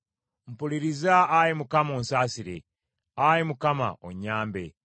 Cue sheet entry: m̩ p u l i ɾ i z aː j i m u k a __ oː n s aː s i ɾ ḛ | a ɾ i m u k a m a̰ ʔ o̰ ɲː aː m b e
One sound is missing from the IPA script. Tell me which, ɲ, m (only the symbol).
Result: m